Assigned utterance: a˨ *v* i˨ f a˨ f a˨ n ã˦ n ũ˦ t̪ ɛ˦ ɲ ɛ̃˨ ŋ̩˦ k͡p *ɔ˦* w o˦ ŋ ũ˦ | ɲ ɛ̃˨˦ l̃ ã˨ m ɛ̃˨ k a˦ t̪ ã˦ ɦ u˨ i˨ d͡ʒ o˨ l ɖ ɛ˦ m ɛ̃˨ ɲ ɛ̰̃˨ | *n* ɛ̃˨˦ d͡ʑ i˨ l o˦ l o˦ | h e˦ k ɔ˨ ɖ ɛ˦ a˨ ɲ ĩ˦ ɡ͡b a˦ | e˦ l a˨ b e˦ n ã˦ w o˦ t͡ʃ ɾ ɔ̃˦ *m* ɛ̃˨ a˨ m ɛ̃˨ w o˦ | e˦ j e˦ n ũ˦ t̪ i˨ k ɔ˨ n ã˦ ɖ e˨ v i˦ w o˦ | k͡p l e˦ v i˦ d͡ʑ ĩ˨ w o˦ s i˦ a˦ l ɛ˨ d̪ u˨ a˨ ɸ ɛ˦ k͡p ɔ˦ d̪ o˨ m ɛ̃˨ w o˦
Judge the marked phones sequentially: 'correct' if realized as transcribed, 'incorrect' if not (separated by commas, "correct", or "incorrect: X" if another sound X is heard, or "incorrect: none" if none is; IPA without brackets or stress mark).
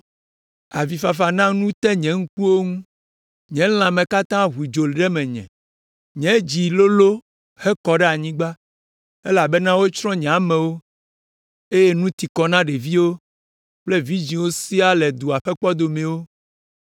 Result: correct, incorrect: u˦, incorrect: ɲ, incorrect: ɲ